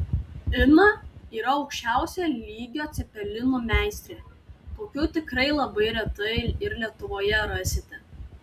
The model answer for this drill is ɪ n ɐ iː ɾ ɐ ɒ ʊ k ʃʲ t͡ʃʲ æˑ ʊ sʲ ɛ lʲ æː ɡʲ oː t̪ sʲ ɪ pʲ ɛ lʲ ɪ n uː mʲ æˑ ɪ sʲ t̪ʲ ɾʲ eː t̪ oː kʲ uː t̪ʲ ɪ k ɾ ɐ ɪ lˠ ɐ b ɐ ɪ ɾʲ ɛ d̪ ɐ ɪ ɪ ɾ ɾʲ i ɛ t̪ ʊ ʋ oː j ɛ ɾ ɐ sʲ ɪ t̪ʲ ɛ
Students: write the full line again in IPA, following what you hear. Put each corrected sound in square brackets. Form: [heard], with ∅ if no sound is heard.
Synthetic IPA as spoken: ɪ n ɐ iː ɾ ɐ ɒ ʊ k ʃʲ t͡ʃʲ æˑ ʊ sʲ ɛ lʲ [iː] ɡʲ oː t̪ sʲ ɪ pʲ ɛ lʲ ɪ n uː mʲ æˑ ɪ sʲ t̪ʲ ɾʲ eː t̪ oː kʲ uː t̪ʲ ɪ k ɾ ɐ ɪ lˠ ɐ b ɐ ɪ ɾʲ ɛ [t̪] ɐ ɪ ɪ ɾ [lʲ] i ɛ t̪ ʊ ʋ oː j ɛ ɾ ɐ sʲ ɪ t̪ʲ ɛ